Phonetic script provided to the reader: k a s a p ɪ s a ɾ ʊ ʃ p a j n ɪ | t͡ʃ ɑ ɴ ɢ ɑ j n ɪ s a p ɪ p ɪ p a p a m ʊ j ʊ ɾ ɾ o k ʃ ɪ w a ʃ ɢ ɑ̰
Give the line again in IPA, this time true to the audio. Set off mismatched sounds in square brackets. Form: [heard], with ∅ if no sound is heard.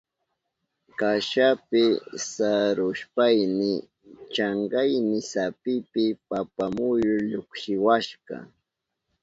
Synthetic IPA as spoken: k a [ʃ] a p ɪ s a ɾ ʊ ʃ p a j n ɪ | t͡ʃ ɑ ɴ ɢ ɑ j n ɪ s a p ɪ p ɪ p a p a m ʊ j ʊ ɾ [ʎ] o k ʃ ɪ w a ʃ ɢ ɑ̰